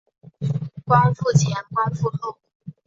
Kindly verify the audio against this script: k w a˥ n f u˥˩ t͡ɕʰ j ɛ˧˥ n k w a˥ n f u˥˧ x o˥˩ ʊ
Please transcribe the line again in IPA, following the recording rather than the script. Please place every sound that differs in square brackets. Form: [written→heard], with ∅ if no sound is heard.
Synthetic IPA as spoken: k w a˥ n f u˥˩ t͡ɕʰ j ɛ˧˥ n k w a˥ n f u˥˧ x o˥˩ ʊ